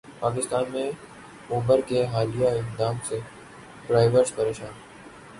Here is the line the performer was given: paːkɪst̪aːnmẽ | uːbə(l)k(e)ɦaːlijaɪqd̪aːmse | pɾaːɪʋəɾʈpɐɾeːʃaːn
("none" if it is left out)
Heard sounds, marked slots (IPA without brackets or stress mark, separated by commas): ɾ, e